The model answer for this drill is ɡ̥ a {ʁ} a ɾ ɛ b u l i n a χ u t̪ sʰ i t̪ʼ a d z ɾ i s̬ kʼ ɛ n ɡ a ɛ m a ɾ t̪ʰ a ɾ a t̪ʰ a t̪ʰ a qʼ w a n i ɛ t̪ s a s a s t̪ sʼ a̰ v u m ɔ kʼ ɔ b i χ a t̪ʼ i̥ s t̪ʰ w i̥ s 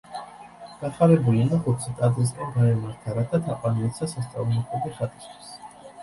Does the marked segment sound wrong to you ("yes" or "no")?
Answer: yes